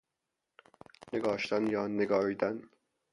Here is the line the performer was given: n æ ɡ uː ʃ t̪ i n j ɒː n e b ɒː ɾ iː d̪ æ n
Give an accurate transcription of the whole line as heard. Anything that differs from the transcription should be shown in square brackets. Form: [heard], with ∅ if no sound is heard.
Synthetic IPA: n [e] ɡ [ɒː] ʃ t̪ [æ] n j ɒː n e [ɡ] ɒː ɾ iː d̪ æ n